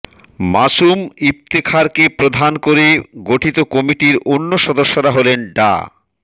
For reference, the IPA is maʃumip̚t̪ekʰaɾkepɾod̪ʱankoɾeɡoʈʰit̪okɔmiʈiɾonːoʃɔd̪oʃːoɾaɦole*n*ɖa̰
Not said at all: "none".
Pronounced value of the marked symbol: n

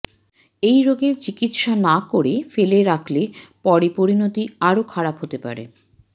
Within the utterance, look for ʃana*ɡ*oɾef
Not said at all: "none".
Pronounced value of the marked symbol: k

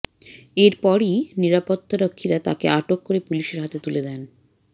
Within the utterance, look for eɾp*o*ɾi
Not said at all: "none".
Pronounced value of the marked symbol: ɔ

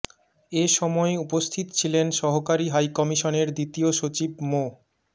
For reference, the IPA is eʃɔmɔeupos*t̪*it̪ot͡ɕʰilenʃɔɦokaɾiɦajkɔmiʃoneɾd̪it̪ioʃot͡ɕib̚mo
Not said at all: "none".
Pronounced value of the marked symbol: t̪ʰ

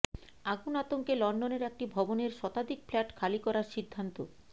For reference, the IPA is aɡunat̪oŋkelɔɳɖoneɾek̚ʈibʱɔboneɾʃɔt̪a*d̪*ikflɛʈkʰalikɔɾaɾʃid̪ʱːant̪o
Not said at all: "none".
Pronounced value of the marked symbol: d̪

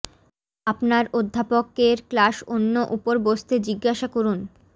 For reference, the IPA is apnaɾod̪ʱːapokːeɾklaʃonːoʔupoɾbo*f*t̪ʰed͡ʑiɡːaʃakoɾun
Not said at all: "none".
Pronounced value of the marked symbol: s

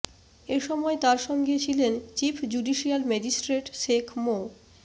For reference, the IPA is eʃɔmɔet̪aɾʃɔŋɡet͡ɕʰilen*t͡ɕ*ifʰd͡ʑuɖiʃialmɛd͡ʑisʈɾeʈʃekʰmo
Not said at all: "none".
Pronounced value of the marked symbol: t͡ɕ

